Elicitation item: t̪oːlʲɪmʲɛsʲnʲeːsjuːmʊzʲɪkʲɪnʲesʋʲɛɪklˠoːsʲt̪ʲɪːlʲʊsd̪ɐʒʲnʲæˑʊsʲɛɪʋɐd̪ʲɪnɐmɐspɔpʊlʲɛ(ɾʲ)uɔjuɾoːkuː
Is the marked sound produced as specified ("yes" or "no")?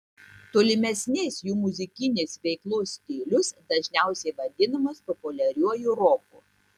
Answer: yes